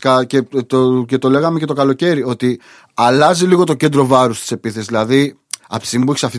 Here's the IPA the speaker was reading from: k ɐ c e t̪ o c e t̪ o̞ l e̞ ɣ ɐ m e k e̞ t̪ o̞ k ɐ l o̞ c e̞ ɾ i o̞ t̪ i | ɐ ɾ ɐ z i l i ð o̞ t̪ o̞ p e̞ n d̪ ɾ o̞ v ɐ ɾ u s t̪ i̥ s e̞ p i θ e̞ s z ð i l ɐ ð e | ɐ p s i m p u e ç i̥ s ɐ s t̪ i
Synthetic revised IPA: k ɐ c e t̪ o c e t̪ o̞ l e̞ ɣ ɐ m e c e̞ t̪ o̞ k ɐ l o̞ c e̞ ɾ i o̞ t̪ i | ɐ l ɐ z i l i ɣ o̞ t̪ o̞ c e̞ n d̪ ɾ o̞ v ɐ ɾ u s t̪ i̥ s e̞ p i θ e̞ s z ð i l ɐ ð i | ɐ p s i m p u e ç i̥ s ɐ f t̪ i